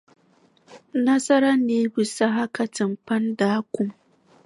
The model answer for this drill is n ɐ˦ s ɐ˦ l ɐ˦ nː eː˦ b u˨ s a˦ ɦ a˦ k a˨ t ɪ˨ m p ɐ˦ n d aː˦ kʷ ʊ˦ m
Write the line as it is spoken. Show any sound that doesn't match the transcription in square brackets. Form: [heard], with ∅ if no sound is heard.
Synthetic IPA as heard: n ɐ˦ s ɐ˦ [ɾ] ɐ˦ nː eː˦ b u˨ s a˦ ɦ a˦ k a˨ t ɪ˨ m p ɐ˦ n d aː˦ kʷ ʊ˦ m